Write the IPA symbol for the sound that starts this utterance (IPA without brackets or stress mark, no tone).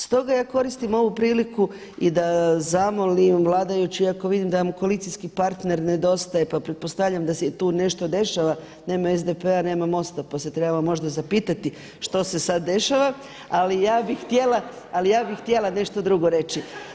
s